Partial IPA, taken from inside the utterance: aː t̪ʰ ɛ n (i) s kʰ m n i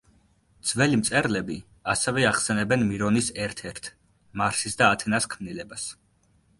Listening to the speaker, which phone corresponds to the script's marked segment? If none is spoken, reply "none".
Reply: a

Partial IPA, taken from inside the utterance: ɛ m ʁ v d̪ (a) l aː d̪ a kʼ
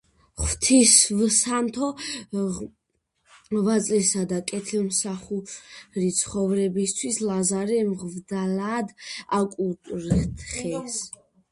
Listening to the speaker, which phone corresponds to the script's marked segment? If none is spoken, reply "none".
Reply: a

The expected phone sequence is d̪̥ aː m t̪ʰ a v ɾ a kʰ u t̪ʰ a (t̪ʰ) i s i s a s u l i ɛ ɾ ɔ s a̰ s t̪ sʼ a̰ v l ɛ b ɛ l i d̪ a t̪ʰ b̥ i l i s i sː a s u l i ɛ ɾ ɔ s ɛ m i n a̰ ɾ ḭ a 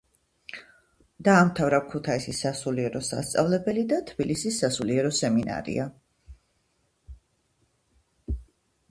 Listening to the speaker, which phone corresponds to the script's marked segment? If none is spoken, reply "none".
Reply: none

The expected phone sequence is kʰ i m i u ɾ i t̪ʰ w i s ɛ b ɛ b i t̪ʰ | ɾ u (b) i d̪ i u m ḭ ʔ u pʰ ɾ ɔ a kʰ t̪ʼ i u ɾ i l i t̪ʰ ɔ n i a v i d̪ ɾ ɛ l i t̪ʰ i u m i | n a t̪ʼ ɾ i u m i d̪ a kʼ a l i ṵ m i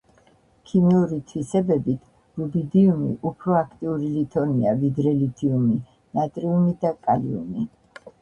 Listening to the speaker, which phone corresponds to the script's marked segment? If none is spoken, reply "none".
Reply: b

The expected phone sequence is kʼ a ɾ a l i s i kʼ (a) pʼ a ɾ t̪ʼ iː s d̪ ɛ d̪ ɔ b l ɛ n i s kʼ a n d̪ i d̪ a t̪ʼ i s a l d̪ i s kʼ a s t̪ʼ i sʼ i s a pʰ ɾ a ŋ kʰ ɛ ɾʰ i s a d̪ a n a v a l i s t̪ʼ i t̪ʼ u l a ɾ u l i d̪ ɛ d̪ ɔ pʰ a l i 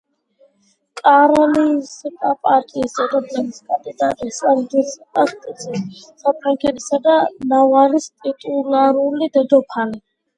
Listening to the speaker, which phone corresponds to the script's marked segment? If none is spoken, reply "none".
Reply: a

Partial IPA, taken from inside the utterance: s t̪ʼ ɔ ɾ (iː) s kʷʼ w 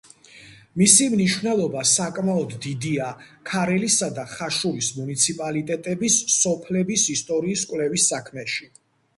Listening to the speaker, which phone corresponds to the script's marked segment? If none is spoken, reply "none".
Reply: iː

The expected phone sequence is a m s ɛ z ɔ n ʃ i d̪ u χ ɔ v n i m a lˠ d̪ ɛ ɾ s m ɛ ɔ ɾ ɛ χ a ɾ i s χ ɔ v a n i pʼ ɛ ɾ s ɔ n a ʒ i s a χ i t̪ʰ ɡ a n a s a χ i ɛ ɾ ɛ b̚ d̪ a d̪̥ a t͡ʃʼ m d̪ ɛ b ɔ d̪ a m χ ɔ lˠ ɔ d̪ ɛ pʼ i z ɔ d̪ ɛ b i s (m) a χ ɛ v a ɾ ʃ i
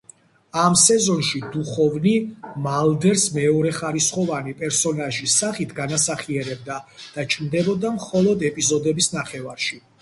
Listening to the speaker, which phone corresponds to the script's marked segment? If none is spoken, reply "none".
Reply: n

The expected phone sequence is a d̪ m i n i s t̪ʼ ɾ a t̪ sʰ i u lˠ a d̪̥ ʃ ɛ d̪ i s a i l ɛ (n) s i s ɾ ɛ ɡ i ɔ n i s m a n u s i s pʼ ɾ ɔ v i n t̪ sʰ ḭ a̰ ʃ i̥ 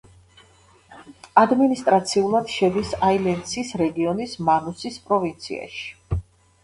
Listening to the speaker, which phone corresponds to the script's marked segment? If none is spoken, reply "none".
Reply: n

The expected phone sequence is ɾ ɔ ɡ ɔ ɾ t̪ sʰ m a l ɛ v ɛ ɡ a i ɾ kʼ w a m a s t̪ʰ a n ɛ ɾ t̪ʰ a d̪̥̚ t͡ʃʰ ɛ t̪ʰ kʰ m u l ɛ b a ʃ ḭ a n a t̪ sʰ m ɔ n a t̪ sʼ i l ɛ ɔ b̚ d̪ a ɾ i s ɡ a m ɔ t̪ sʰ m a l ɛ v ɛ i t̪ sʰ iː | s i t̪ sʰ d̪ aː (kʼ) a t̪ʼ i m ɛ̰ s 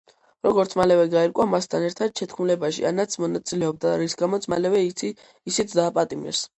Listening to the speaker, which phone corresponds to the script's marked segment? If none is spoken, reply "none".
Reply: pʼ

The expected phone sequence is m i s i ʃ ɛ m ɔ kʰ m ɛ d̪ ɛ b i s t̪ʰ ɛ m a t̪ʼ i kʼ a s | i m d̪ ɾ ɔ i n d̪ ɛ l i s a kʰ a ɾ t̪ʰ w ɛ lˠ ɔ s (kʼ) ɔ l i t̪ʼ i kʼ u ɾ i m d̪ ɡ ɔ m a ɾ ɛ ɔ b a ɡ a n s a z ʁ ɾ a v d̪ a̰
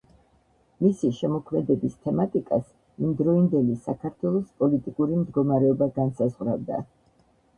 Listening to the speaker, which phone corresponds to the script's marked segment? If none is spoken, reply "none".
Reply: pʼ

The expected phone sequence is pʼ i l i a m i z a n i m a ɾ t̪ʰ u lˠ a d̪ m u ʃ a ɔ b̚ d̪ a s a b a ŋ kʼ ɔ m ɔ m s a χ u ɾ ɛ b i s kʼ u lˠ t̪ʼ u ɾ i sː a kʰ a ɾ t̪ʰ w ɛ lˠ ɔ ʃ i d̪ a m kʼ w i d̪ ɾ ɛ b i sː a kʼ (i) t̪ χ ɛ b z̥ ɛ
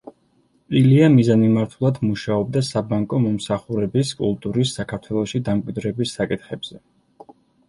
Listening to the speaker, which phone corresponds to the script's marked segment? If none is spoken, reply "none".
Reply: i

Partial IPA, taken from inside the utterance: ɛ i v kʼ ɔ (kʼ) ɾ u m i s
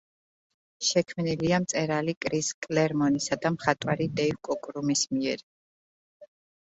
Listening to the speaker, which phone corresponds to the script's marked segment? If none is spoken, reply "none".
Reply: kʼ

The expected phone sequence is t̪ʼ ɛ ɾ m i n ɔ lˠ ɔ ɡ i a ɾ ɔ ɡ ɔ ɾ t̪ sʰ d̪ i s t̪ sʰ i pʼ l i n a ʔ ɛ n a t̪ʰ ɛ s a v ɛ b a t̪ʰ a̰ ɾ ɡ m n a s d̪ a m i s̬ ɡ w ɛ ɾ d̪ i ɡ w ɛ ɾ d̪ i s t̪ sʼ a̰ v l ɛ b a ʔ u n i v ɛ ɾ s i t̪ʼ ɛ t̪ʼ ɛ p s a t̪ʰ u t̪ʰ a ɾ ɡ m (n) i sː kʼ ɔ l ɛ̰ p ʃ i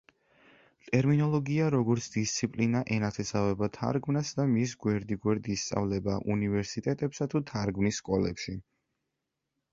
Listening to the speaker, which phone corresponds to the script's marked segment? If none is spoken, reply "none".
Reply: n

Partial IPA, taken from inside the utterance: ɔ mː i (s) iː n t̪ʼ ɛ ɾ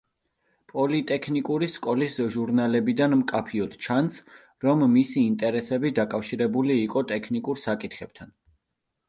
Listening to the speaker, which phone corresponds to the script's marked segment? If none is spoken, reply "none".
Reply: s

